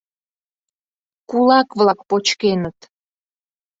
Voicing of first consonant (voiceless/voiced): voiceless